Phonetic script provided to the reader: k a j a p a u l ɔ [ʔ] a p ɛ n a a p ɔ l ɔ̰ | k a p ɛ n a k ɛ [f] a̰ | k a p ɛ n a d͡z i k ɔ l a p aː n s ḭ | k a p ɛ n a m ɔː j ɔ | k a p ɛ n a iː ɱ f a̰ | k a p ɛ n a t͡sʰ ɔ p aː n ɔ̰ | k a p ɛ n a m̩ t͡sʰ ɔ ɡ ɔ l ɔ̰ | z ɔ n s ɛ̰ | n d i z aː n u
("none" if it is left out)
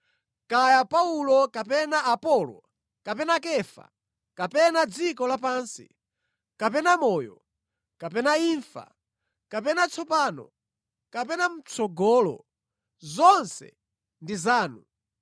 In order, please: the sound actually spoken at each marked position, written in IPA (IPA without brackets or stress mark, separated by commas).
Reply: k, f